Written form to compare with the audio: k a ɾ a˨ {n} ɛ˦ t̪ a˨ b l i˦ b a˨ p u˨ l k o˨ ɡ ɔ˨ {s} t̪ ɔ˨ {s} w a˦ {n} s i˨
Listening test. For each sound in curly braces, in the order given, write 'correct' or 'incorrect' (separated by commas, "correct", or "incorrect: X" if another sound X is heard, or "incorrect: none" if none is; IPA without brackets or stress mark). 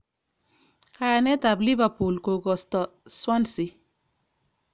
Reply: correct, correct, correct, correct